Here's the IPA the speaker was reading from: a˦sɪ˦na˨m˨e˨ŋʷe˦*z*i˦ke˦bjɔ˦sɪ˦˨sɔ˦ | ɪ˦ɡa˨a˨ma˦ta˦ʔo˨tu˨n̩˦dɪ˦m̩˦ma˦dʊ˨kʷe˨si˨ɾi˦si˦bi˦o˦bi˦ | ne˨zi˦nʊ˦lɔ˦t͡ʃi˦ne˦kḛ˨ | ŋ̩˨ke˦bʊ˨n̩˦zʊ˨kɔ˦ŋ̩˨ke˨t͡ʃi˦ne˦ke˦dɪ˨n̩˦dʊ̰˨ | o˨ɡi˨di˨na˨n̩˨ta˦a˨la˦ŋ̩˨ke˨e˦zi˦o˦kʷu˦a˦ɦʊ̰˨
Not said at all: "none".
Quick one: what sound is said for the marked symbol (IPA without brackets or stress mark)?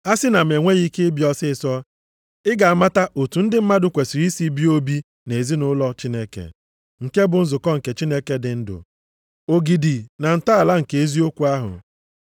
ɣ